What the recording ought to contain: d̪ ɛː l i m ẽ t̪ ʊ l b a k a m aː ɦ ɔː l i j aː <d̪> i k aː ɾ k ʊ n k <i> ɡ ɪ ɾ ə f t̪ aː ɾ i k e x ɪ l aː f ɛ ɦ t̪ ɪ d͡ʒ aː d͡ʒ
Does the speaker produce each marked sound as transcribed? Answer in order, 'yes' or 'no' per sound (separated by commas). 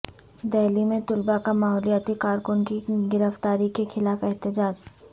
no, yes